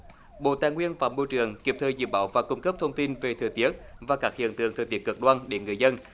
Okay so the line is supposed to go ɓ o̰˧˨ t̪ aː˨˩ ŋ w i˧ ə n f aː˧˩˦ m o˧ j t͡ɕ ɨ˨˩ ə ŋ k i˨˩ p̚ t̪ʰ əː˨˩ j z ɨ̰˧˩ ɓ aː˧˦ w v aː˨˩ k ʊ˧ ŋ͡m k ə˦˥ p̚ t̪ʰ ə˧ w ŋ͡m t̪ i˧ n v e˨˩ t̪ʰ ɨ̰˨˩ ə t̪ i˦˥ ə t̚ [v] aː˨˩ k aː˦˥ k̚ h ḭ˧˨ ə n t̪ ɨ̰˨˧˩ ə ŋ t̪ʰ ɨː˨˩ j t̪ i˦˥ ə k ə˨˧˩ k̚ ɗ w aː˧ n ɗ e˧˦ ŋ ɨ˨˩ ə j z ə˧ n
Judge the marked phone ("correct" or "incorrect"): correct